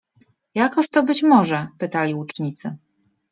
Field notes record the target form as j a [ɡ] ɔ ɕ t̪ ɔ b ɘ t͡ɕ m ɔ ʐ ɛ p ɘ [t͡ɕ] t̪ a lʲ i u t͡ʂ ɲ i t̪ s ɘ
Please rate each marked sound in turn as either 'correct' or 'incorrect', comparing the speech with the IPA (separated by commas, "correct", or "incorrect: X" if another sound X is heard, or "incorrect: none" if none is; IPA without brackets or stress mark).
incorrect: k, incorrect: none